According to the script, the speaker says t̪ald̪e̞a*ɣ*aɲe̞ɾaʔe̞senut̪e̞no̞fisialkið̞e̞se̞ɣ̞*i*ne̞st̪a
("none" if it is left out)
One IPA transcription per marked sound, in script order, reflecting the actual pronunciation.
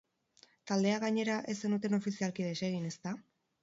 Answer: ɣ, i

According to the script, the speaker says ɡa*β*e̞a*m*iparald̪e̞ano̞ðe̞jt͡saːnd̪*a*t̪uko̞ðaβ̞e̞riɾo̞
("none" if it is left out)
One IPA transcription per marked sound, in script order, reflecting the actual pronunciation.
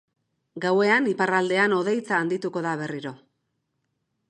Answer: w, n, i

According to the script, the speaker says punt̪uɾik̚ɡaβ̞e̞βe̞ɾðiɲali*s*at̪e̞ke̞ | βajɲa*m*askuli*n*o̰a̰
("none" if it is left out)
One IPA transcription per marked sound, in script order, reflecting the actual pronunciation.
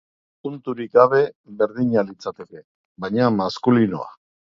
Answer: t͡s, m, n

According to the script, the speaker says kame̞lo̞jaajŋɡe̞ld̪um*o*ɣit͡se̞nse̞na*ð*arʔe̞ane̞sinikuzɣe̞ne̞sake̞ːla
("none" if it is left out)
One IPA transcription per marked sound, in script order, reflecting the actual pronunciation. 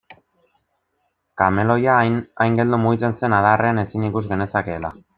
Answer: u, ð

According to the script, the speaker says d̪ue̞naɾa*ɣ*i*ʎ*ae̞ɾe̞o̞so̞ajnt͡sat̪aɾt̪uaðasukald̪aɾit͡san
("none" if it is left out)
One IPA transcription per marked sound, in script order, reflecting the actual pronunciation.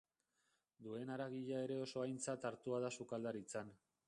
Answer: ɣ, ʎ

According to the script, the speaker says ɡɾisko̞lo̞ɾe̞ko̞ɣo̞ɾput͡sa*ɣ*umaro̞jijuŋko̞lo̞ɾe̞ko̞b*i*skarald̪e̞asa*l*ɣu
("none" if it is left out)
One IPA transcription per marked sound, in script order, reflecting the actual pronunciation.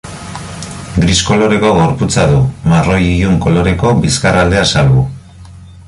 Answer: ð, i, l

